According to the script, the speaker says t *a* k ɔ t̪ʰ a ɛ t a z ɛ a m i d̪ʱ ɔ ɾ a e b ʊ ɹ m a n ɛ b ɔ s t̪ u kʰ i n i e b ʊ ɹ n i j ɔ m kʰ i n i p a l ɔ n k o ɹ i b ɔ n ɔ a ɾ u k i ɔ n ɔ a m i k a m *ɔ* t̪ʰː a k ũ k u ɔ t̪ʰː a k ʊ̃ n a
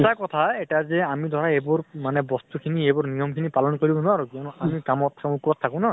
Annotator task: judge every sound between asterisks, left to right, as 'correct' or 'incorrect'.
correct, correct

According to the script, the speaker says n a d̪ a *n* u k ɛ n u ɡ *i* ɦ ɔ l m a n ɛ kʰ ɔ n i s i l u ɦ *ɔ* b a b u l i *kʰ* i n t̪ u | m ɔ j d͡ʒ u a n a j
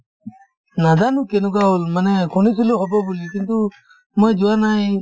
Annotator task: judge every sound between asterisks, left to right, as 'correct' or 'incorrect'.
correct, incorrect: a, correct, incorrect: k

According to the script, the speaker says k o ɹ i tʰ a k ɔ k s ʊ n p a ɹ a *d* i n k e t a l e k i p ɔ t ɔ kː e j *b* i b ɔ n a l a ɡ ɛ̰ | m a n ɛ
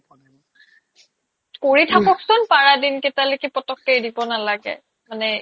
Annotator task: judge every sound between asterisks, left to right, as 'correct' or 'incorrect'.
correct, incorrect: d

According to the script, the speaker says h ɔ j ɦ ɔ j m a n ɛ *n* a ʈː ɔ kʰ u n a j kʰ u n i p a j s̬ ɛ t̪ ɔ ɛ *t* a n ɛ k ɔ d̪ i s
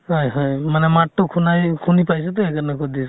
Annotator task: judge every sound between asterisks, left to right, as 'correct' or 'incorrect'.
incorrect: m, incorrect: k

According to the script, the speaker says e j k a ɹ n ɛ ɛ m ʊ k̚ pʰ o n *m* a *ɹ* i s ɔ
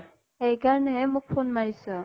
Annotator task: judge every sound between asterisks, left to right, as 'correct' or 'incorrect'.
correct, correct

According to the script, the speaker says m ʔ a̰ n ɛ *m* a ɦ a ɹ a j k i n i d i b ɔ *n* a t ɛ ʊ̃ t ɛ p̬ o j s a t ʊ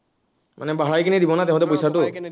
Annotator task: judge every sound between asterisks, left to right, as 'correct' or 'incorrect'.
incorrect: b, correct

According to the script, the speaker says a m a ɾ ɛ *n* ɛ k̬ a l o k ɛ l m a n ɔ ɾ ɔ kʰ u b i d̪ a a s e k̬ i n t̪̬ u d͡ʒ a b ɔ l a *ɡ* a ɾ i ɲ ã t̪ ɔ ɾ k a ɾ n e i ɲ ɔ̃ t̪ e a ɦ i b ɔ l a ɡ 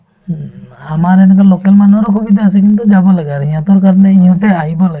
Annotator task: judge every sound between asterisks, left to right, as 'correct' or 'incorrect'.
correct, correct

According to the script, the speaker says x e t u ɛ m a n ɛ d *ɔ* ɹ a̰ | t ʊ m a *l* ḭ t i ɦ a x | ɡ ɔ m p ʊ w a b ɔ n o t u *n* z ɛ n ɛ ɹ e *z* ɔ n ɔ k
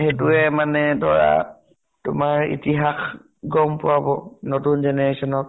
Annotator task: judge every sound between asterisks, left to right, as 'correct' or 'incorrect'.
correct, incorrect: ɹ, correct, incorrect: s

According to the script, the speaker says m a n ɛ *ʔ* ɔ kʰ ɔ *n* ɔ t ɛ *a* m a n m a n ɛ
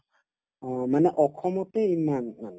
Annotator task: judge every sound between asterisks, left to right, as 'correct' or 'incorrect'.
correct, incorrect: m, incorrect: i

